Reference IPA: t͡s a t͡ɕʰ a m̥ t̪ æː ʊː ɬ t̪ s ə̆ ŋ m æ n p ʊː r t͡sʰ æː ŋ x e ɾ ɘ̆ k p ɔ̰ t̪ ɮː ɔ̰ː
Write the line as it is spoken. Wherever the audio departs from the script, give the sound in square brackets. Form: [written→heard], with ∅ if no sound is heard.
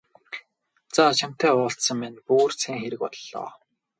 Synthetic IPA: t͡s a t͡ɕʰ a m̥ t̪ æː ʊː ɬ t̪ s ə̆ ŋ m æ n p [ʊː→uː] r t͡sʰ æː ŋ x e ɾ ɘ̆ k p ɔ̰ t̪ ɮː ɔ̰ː